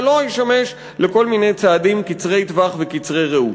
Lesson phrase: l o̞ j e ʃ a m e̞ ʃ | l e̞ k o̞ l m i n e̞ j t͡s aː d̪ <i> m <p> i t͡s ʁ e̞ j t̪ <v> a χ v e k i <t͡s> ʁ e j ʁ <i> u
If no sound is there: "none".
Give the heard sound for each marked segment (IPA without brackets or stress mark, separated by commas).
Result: i, k, v, t͡s, e